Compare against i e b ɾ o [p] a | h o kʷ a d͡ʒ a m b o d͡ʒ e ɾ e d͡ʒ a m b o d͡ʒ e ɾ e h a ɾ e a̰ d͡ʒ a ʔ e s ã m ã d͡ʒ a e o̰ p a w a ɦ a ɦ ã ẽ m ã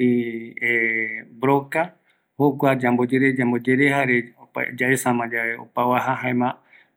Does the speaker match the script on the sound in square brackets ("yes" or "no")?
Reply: no